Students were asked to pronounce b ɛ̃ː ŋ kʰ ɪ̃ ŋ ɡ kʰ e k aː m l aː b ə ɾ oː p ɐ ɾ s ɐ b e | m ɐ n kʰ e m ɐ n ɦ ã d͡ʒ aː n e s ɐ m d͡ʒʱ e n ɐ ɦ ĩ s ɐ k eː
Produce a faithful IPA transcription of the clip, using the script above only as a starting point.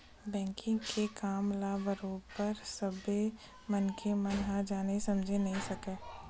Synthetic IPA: b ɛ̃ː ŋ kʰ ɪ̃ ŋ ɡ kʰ e k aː m l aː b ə ɾ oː p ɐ ɾ s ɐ b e | m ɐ n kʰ e m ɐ n ɦ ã d͡ʒ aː n e s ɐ m d͡ʒʱ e n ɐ ɦ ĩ s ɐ k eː

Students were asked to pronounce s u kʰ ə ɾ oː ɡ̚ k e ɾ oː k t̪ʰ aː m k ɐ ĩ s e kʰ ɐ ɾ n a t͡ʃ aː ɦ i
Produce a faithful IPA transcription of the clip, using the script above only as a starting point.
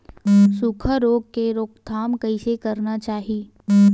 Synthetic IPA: s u kʰ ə ɾ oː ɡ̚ k e ɾ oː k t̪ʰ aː m k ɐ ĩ s e k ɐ ɾ n a t͡ʃ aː ɦ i

